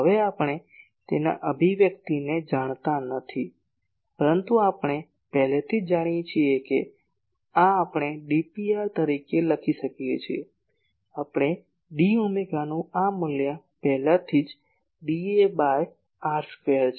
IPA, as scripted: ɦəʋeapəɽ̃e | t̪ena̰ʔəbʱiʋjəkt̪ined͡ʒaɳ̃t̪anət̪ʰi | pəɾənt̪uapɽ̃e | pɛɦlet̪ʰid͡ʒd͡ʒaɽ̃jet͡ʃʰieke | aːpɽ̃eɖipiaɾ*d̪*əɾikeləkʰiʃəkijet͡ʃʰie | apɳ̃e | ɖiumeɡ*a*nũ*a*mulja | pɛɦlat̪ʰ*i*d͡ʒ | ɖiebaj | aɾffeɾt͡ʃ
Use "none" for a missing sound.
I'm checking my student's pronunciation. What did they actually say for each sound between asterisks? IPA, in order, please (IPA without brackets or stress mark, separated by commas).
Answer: t̪, a, a, i